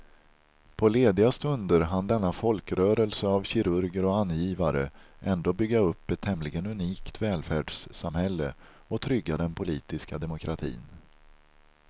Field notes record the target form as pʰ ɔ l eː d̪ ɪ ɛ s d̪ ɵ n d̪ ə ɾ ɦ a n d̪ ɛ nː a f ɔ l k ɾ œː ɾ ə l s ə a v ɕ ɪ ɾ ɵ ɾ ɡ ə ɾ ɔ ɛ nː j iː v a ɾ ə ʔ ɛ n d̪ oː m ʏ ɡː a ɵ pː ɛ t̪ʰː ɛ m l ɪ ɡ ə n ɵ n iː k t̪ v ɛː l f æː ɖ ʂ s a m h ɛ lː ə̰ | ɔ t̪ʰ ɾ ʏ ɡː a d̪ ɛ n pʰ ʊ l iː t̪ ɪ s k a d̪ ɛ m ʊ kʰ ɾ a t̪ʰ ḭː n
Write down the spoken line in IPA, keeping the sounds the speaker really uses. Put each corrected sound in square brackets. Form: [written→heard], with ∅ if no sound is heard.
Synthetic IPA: pʰ ɔ l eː d̪ ɪ [ɛ→a] s [d̪→t̪] ɵ n d̪ ə ɾ ɦ a n d̪ ɛ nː a f ɔ l k ɾ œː ɾ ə l s ə a v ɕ ɪ ɾ ɵ ɾ ɡ ə ɾ ɔ [ɛ→a] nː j iː v a ɾ ə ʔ ɛ n d̪ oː [m→b] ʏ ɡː a ɵ pː ɛ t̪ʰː ɛ m l ɪ ɡ ə n ɵ n iː k t̪ v ɛː l f æː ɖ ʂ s a m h ɛ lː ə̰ | ɔ t̪ʰ ɾ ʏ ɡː a d̪ ɛ n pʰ ʊ l iː t̪ ɪ s k a d̪ ɛ m ʊ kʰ ɾ a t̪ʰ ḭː n